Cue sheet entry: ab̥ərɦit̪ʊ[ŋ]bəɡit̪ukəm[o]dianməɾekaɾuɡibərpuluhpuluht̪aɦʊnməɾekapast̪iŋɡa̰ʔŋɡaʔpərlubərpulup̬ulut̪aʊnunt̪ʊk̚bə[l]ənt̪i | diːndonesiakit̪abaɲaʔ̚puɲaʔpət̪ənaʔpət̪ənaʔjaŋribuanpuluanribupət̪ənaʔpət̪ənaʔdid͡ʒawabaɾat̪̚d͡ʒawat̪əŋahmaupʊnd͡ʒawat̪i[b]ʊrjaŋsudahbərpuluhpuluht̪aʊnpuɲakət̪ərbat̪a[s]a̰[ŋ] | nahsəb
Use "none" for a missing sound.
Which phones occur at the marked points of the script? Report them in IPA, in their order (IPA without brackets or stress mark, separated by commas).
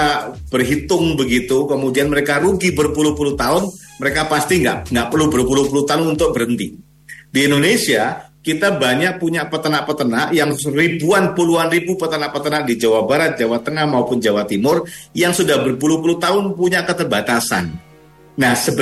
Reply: ŋ, u, ɾ, m, s, n